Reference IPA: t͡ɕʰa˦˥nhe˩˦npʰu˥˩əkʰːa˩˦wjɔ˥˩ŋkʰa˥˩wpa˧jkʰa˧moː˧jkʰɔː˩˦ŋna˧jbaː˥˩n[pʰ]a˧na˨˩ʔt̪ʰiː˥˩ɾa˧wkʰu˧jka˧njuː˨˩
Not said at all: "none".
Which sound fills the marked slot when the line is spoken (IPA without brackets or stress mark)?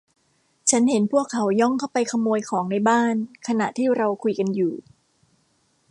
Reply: kʰ